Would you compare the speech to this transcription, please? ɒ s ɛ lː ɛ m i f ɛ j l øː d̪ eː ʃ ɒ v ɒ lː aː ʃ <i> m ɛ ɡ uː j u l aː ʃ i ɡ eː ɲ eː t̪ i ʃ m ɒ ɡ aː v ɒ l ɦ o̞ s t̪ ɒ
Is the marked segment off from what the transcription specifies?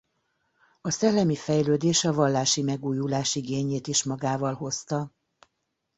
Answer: no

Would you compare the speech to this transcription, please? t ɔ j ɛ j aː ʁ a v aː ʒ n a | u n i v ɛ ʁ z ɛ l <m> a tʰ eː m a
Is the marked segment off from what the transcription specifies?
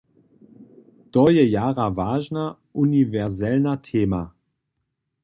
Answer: yes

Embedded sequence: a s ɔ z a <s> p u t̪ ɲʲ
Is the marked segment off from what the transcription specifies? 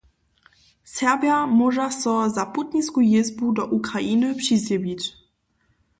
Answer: yes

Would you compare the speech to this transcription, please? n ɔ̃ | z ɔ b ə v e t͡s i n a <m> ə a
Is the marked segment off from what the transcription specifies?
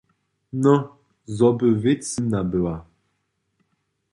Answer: yes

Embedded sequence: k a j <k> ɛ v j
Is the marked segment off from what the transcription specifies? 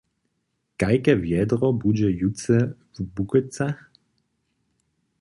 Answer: no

